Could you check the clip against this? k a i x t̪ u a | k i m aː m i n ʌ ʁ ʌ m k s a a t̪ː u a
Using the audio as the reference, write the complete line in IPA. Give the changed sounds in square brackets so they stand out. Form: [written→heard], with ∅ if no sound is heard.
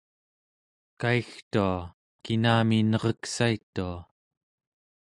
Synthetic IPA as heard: k a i x t̪ u a | k i [m→n] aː m i n ʌ ʁ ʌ [m→∅] k s a [a→i] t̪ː u a